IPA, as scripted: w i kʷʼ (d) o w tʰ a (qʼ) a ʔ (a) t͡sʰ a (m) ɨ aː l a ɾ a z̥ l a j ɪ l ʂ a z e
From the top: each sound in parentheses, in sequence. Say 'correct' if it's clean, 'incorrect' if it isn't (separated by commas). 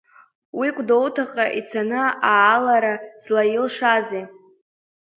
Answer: correct, correct, incorrect, incorrect